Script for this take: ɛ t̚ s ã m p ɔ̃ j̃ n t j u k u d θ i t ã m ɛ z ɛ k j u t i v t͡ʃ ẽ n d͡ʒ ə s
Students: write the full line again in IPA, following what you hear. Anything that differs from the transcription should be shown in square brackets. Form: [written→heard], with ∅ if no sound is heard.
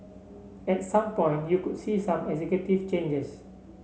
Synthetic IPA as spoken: ɛ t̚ s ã m p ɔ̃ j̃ n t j u k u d [θ→s] i [t→s] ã m ɛ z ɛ k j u t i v t͡ʃ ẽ n d͡ʒ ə s